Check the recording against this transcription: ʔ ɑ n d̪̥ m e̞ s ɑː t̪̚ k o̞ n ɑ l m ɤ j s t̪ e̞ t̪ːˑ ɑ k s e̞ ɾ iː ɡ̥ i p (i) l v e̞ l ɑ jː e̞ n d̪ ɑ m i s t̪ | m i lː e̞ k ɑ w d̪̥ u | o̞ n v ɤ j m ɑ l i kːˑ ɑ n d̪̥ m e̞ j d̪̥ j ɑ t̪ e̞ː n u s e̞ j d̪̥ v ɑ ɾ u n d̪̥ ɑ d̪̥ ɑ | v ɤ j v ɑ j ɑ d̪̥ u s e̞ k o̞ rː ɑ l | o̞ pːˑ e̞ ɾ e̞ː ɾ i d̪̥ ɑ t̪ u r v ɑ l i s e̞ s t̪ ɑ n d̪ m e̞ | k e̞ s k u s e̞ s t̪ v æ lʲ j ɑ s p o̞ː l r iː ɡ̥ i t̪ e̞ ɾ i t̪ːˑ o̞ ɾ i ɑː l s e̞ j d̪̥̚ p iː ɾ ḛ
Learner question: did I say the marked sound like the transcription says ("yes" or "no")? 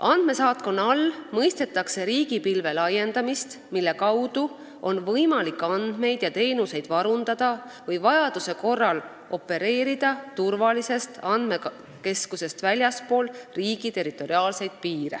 yes